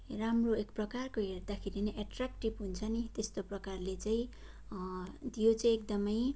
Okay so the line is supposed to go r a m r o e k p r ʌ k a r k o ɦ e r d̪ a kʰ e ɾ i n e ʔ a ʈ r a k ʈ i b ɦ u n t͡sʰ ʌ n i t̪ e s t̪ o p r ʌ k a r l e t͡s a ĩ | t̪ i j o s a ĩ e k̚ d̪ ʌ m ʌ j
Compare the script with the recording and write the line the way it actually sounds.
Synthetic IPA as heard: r a m r o e k p r ʌ k a r k o ɦ e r d̪ a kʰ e ɾ i n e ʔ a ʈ r a k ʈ i b ɦ u n t͡sʰ ʌ n i t̪ e s t̪ o p r ʌ k a r l e t͡s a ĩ | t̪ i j o t͡s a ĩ e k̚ d̪ ʌ m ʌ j

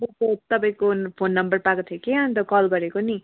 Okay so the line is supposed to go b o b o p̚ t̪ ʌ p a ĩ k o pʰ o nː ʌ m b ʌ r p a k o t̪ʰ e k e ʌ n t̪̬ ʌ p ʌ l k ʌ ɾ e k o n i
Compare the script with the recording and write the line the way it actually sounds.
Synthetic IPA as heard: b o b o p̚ t̪ ʌ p a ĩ k o pʰ o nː ʌ m b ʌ r p a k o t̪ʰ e k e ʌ n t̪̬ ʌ k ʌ l ɡ ʌ ɾ e k o n i

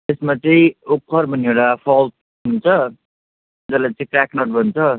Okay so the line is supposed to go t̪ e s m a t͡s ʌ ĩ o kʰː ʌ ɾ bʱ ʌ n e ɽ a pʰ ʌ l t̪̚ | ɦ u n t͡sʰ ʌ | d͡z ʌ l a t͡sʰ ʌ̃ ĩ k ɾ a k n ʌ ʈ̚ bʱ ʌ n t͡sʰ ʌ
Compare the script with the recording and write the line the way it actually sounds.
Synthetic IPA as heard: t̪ e s m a t͡s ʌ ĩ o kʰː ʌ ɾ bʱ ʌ n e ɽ a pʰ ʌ l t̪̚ | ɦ u n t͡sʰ ʌ | d͡z ʌ l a t͡s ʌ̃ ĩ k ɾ a k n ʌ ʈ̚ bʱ ʌ n t͡sʰ ʌ

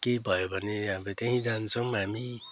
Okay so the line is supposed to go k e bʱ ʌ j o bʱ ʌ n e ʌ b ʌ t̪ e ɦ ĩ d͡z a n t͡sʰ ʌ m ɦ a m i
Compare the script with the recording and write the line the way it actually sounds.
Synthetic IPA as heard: k e bʱ ʌ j o bʱ ʌ n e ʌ b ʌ t̪ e ɦ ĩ d͡z a n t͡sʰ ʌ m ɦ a m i

